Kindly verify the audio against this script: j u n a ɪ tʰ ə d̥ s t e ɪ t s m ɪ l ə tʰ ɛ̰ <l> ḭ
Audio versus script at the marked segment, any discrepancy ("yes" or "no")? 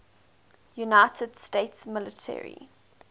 yes